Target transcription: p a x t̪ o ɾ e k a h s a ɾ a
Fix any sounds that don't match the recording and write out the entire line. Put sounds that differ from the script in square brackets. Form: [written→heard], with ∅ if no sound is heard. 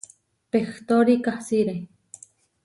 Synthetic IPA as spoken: p [a→e] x t̪ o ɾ [e→i] k a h s [a→i] ɾ [a→e]